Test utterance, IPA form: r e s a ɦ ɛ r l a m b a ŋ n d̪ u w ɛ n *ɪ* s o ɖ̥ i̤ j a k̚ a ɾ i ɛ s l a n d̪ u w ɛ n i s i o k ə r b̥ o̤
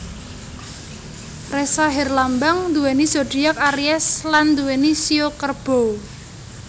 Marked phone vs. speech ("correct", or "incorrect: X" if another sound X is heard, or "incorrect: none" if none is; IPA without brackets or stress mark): incorrect: i